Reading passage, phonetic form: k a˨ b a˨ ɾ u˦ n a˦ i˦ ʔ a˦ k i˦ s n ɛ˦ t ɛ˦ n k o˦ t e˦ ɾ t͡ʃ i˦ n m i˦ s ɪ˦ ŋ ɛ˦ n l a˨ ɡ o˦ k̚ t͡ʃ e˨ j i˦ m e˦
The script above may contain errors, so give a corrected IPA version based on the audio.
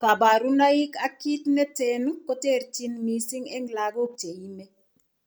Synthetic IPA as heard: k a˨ b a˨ ɾ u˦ n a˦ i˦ k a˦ k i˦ t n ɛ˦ t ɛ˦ n k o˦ t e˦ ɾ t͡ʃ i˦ n m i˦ s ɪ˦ ŋ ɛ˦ ŋ l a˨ ɡ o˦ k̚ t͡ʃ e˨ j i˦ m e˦